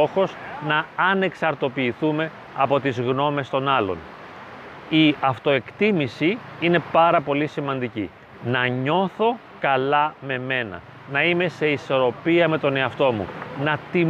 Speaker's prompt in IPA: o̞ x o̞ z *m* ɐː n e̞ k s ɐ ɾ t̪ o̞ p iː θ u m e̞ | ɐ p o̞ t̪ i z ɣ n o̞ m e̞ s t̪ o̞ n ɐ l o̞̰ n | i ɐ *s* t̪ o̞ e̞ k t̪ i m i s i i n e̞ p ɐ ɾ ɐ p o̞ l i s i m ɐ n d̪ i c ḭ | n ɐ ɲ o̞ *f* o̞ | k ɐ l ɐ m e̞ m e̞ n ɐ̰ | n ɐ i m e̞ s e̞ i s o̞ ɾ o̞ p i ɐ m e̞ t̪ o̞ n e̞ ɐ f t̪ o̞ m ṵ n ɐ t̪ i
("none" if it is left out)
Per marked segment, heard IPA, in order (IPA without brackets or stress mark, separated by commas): n, f, θ